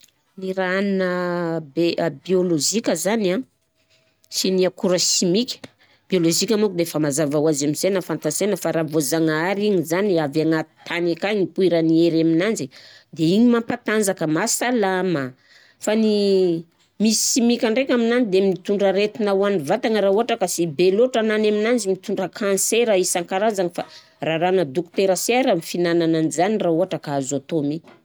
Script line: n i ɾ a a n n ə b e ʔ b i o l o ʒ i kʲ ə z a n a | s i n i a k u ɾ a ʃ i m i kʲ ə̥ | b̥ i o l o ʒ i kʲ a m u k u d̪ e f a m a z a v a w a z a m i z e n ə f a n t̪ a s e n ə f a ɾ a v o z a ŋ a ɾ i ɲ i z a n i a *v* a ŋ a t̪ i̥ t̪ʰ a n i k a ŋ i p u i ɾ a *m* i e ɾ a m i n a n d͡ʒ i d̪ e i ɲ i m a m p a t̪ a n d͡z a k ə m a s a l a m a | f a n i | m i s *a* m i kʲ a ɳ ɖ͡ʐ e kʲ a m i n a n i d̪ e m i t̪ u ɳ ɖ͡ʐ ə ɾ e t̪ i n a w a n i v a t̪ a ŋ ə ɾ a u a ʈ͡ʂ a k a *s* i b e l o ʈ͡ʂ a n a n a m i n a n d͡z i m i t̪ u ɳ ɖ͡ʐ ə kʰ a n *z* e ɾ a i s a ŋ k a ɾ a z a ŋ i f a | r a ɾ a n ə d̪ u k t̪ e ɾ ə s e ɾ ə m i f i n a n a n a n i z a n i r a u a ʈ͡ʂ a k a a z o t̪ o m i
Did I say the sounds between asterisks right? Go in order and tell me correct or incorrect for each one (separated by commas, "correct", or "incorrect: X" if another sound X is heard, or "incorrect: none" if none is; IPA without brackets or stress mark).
correct, incorrect: n, incorrect: i, correct, incorrect: s